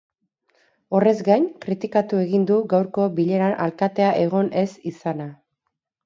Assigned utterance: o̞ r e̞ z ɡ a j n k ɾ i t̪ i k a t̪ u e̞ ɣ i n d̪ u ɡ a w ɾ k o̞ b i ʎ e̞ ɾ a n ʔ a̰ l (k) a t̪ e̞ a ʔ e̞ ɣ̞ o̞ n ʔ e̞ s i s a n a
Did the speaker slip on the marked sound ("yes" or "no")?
no